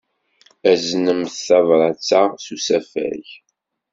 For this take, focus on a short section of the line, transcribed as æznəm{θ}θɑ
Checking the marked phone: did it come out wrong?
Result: no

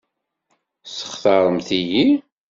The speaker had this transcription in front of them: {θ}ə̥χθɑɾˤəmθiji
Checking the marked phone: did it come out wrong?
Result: yes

